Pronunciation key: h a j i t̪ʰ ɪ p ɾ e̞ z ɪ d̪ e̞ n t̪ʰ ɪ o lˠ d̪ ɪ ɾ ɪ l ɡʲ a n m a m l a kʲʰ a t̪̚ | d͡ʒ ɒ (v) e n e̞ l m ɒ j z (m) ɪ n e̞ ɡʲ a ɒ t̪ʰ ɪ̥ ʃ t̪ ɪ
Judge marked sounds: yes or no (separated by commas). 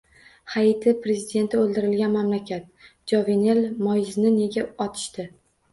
yes, no